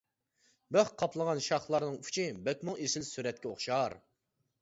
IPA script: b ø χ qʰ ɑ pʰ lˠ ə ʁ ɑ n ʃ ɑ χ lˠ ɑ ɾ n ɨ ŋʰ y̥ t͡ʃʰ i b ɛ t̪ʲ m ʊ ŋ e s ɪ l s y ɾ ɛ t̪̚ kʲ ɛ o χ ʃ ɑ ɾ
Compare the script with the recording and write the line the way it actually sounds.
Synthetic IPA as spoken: b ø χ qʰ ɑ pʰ lˠ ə ʁ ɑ n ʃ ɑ χ lˠ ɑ ɾ n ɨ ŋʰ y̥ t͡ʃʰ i b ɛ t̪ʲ m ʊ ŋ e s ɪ l s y ɾ ɛ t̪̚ kʲ ɛ o χ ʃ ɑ ɾ